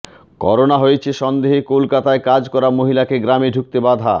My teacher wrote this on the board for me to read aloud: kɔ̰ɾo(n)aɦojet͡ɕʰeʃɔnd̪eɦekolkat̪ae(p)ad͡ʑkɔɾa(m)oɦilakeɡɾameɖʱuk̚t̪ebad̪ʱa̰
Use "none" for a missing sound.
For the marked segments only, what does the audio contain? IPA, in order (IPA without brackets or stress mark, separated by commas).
n, k, m